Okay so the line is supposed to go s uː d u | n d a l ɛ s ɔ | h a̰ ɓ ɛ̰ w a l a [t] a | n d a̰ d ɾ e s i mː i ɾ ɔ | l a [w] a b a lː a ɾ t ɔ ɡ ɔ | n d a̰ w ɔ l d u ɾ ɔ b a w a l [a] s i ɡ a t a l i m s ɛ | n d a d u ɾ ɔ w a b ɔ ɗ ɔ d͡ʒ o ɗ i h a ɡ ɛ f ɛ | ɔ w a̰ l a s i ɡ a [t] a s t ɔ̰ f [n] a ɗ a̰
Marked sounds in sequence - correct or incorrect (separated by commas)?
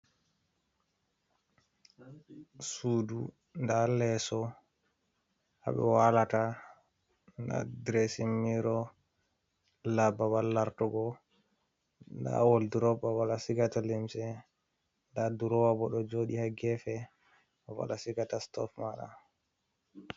correct, incorrect, correct, correct, incorrect